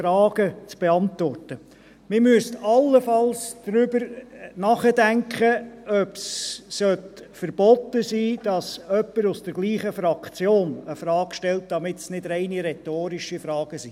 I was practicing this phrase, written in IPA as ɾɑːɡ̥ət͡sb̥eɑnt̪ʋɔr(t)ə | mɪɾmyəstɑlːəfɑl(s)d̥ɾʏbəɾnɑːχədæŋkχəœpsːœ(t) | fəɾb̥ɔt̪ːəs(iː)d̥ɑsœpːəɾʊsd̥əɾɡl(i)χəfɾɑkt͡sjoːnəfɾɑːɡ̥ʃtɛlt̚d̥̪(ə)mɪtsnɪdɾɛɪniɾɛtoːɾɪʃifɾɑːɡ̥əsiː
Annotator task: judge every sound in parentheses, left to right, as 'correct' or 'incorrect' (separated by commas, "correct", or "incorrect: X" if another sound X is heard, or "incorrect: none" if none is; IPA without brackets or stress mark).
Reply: correct, correct, correct, correct, incorrect: iː, incorrect: ɑ